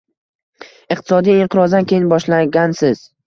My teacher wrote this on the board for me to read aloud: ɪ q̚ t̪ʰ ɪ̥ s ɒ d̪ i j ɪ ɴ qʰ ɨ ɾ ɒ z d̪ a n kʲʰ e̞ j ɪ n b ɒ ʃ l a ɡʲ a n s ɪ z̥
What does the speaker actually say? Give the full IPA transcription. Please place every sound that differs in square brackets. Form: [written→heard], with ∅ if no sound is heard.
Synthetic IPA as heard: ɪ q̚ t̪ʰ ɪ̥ s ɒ d̪ i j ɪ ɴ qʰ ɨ ɾ ɒ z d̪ a n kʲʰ e̞ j ɪ n b ɒ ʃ l a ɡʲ a n s ɪ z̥